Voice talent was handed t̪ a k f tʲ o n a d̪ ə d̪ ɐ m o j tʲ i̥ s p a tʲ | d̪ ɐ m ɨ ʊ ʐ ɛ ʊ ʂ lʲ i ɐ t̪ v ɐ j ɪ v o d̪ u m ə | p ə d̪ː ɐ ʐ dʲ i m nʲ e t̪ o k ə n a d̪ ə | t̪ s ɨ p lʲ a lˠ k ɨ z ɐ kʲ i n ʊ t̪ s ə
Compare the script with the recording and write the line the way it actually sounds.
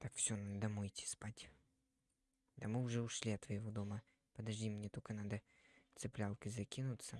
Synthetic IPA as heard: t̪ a k f sʲ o n a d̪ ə d̪ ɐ m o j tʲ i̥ s p a tʲ | d̪ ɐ m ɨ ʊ ʐ ɛ ʊ ʂ lʲ i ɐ t̪ v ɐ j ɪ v o d̪ o m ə | p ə d̪ ɐ ʐ dʲ i m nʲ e t̪ o k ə n a d̪ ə | t̪ s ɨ p lʲ a lˠ k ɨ z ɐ kʲ i n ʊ t̪ s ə